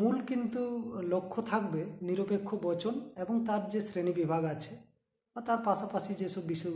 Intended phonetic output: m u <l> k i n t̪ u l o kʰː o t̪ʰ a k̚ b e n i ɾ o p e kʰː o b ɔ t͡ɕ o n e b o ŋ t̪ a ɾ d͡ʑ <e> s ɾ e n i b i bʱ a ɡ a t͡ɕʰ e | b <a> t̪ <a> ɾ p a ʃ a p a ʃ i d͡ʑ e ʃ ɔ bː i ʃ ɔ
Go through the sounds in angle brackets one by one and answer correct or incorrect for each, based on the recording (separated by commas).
correct, correct, correct, correct